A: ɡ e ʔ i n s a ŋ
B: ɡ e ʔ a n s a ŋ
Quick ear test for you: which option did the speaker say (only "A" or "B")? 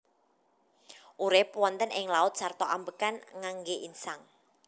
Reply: A